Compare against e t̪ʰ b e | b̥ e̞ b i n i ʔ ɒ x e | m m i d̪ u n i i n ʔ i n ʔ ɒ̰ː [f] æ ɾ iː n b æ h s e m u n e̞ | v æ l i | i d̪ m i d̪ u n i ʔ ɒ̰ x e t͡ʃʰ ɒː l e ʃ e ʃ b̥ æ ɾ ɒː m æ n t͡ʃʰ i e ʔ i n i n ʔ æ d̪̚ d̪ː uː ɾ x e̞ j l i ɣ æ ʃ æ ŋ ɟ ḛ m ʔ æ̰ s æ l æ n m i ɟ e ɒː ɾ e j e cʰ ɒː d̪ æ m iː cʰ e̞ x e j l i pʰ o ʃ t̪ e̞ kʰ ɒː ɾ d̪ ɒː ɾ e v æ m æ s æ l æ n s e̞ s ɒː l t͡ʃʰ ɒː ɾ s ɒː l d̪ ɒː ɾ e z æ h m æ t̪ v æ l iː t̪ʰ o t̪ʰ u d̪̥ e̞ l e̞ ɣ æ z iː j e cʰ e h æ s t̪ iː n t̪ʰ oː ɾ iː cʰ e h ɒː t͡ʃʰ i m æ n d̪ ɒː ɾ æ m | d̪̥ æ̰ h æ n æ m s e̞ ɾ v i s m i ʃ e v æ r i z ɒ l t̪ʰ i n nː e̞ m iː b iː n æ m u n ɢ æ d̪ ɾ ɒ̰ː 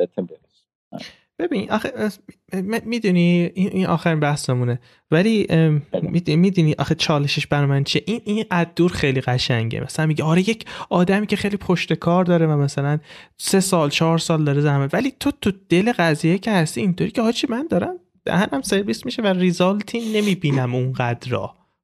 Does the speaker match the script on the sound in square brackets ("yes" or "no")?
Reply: no